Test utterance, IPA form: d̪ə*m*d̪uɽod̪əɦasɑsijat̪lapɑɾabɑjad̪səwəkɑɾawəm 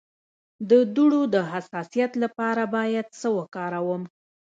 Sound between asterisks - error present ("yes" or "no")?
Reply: yes